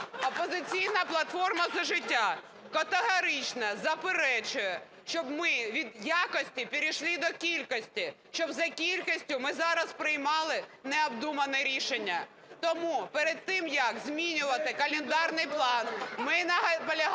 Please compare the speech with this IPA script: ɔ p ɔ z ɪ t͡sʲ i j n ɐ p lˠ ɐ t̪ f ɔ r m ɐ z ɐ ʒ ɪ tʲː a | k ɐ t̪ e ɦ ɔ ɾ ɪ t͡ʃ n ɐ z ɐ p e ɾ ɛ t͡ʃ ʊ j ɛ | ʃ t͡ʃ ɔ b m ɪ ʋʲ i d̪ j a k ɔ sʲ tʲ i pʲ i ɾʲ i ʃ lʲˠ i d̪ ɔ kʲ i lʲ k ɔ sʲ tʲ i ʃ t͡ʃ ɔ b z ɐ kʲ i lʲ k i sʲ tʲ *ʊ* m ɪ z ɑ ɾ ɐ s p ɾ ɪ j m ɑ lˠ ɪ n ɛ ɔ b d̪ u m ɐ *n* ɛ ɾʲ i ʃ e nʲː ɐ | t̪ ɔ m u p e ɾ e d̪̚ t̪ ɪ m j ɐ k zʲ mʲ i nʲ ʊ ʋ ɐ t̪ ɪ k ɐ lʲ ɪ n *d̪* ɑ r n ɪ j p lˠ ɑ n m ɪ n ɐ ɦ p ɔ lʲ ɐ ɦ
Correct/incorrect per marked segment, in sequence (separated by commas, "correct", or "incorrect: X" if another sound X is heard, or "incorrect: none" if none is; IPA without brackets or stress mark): correct, correct, correct